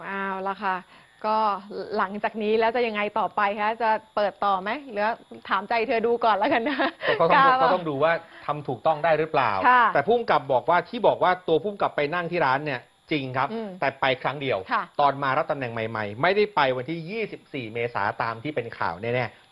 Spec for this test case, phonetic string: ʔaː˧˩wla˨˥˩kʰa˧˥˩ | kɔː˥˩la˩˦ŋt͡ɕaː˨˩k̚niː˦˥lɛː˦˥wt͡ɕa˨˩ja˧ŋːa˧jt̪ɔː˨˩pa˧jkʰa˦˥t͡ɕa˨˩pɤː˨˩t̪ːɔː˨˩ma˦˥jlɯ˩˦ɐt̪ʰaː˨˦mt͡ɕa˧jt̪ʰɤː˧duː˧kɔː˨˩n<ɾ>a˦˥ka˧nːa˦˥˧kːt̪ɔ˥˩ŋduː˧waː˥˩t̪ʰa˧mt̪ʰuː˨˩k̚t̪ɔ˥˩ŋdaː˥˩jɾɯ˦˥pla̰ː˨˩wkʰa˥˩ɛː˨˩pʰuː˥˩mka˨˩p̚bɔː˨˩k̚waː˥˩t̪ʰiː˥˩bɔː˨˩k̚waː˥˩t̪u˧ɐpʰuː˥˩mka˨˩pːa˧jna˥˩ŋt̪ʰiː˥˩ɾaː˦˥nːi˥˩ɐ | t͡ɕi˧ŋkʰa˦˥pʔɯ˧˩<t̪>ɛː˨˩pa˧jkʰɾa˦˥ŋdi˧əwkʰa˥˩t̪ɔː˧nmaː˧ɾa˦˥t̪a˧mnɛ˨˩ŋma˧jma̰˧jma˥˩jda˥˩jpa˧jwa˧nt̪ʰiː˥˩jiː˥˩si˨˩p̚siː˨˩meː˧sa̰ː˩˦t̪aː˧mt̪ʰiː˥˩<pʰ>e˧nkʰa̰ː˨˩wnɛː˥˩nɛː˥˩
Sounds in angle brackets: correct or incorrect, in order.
incorrect: l, correct, incorrect: p

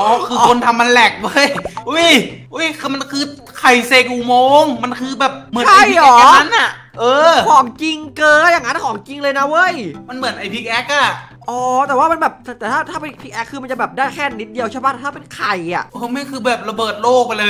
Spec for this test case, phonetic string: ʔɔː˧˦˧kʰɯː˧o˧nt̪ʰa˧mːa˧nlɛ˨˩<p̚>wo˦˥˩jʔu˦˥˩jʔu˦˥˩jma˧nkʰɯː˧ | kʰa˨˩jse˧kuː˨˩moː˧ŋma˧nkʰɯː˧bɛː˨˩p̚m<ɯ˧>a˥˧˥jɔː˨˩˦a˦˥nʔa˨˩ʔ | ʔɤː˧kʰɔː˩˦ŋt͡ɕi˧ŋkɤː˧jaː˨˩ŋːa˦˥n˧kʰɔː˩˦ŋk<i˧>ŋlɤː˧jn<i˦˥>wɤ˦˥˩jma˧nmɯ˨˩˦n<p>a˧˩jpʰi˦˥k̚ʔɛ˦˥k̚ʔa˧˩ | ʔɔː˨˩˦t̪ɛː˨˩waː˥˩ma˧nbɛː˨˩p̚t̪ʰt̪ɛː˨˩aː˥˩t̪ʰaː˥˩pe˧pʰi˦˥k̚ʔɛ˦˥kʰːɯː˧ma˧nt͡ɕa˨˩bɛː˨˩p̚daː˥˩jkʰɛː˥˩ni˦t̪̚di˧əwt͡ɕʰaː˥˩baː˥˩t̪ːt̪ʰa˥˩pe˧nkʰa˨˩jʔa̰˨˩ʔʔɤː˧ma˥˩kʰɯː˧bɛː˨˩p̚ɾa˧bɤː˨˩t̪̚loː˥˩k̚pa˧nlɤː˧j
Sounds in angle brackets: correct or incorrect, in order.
incorrect: k̚, incorrect: ɯ˩˦, correct, incorrect: a˦˥, incorrect: ʔ

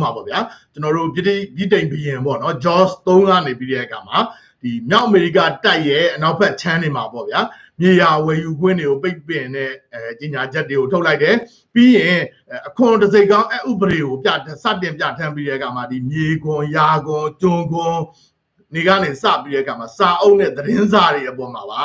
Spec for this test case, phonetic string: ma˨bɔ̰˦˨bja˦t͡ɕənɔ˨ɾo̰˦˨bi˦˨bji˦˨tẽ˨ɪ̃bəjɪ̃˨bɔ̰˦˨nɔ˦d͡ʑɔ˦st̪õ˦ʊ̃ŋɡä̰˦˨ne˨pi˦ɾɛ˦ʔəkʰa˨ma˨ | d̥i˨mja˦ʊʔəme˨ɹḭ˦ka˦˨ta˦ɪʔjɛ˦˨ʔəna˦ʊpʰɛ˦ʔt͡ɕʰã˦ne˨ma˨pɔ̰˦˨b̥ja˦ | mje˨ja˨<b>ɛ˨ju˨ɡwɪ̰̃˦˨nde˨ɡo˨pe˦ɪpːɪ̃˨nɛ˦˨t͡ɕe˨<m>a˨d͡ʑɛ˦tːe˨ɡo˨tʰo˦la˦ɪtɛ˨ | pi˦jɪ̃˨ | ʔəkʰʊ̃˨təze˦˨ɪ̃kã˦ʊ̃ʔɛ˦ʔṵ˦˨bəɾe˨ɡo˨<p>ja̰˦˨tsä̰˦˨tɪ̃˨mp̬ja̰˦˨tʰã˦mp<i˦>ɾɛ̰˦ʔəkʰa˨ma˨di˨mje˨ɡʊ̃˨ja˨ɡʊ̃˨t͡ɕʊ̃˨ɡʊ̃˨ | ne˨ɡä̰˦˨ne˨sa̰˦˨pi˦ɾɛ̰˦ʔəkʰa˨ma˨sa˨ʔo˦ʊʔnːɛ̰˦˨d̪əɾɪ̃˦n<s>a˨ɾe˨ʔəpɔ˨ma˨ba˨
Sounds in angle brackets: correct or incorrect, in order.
incorrect: w, incorrect: ɲ, correct, correct, incorrect: z

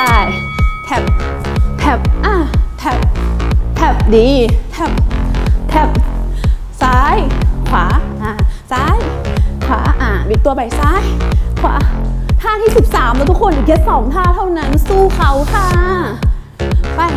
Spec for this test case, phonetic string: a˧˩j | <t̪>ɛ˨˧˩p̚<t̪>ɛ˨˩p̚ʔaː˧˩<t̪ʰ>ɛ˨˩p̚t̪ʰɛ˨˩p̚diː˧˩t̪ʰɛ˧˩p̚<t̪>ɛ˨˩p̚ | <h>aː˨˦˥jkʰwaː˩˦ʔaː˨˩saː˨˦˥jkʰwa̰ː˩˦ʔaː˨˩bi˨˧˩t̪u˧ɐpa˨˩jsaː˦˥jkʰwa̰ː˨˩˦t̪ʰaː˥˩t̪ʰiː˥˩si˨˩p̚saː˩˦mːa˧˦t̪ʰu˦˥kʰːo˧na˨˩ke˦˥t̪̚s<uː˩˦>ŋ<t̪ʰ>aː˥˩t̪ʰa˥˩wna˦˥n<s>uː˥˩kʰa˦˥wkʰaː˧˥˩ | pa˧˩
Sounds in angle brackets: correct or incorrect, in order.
incorrect: t̪ʰ, incorrect: t̪ʰ, correct, incorrect: t̪ʰ, incorrect: s, incorrect: ɔː˩˦, correct, correct

